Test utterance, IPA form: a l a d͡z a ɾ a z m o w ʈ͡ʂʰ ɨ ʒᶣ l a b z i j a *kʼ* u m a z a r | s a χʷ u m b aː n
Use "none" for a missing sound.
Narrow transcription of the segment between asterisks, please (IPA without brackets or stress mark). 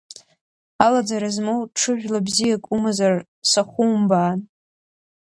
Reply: kʼ